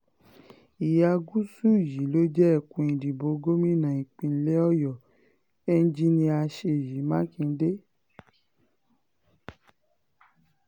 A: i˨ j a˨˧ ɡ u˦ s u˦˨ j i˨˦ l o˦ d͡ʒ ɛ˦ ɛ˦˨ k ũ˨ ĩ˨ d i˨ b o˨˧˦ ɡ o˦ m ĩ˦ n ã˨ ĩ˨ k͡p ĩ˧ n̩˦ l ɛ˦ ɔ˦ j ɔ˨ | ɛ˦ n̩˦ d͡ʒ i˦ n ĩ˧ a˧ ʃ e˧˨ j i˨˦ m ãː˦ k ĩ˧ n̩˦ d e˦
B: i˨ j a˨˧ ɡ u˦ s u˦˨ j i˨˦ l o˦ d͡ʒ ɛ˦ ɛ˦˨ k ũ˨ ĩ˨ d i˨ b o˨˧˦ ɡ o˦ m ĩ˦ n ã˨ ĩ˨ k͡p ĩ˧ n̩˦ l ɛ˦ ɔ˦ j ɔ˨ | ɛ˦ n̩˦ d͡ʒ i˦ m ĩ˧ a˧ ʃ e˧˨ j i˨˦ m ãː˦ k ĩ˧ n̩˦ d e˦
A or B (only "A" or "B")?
A